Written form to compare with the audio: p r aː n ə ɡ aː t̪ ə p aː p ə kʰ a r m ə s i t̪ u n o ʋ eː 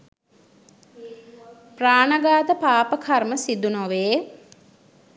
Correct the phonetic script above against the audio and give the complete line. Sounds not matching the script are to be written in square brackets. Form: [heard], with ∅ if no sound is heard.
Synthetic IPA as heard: p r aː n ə ɡ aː t̪ ə p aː p ə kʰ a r m ə s i [d̪] u n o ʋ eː